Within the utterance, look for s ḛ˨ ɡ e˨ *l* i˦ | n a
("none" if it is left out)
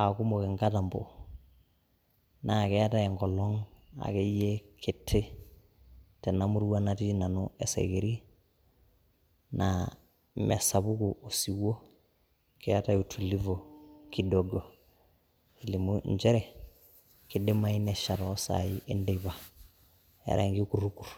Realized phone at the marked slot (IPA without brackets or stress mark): ɾ